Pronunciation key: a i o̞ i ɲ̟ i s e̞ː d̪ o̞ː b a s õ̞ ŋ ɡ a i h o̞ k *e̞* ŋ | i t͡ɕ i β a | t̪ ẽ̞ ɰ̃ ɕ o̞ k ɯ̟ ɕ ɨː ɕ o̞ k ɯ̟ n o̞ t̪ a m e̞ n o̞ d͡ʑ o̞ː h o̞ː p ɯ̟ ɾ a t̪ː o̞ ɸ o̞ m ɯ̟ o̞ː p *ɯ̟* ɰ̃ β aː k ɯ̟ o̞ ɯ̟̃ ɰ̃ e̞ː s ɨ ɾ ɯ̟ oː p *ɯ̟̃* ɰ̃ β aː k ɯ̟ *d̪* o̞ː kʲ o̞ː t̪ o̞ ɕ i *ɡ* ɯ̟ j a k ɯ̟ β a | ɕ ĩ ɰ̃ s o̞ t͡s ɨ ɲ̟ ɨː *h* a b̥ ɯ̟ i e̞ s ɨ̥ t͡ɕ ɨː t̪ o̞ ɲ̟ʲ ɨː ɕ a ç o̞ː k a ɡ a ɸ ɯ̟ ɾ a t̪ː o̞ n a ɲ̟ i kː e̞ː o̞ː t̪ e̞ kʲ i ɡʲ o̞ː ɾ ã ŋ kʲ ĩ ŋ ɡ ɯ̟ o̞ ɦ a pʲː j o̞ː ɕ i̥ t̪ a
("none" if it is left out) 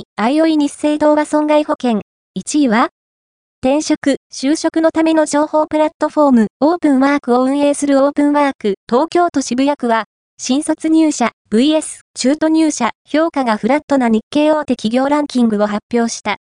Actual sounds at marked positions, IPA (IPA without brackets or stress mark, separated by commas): ẽ̞, ɯ̟̃, ɯ̟̃, t̪, b, ɕ